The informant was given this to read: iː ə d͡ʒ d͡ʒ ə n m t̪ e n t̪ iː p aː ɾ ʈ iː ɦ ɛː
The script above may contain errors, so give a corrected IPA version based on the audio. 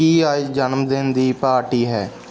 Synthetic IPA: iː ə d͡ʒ d͡ʒ ə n m d̪ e n d̪ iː p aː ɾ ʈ iː ɦ ɛː